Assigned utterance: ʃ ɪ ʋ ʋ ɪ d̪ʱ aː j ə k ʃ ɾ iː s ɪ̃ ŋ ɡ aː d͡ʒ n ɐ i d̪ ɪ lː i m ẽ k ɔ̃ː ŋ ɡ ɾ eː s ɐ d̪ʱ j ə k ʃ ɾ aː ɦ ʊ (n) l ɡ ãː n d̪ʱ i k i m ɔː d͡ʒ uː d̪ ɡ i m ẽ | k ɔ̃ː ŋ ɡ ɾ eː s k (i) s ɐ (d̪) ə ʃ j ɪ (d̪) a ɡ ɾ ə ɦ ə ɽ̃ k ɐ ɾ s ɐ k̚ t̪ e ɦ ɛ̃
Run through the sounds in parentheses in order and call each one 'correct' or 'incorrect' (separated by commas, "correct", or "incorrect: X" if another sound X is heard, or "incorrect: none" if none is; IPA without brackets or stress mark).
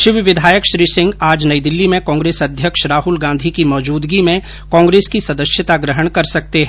incorrect: none, correct, correct, incorrect: t̪